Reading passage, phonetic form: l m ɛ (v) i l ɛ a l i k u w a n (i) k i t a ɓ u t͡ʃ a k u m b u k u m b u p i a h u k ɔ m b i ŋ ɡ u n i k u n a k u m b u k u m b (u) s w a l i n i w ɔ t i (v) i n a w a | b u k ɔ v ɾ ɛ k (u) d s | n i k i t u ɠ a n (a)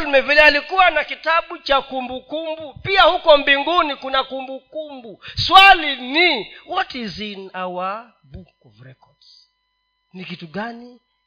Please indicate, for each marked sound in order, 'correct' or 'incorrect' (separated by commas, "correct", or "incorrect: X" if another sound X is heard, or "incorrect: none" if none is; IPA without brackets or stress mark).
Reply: correct, incorrect: a, correct, incorrect: z, incorrect: ɔ, incorrect: i